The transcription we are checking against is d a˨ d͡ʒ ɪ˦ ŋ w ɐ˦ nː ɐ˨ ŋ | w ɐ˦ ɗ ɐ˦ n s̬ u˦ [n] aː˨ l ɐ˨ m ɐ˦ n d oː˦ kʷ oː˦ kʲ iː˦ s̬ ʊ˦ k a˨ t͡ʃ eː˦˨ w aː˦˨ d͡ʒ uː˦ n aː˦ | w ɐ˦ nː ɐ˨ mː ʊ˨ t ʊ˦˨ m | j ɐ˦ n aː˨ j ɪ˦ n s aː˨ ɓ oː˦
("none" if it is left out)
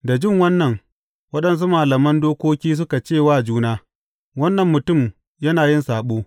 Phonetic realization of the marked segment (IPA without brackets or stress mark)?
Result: m